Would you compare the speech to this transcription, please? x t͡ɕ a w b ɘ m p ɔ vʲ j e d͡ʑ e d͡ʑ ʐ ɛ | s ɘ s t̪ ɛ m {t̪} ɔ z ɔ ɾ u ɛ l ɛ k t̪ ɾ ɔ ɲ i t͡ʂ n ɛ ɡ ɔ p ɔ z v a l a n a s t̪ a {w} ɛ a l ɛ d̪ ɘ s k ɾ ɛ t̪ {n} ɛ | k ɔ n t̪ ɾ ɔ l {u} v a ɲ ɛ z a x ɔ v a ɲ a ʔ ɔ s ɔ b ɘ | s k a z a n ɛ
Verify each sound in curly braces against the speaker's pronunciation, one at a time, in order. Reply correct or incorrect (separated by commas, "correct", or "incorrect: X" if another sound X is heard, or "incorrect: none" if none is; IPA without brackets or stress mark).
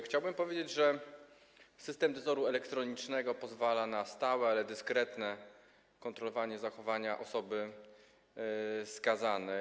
incorrect: d̪, correct, correct, incorrect: ɔ